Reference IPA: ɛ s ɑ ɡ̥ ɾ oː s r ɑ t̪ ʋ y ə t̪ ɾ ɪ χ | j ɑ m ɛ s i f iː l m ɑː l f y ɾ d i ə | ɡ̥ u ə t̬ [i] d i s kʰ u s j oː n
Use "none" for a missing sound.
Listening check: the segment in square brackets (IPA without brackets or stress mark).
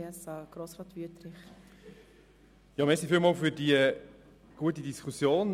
i